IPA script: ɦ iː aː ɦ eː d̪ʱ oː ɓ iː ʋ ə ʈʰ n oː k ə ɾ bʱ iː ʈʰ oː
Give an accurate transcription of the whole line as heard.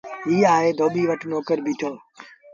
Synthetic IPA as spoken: ɦ iː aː ɦ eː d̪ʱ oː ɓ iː ʋ ə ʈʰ n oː k ə ɾ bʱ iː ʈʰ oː